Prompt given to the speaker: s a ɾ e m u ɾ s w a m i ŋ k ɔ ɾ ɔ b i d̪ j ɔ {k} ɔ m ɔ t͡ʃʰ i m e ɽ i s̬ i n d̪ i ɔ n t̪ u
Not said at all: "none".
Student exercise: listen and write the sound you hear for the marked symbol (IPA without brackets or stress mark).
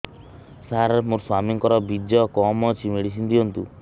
k